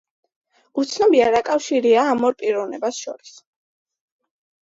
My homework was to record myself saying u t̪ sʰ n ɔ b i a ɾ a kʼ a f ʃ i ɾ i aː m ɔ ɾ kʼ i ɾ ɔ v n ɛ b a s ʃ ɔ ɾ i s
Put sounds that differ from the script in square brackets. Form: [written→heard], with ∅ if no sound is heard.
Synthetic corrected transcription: u t̪ sʰ n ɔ b i a ɾ a kʼ a f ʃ i ɾ i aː m ɔ ɾ [kʼ→pʼ] i ɾ ɔ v n ɛ b a s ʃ ɔ ɾ i s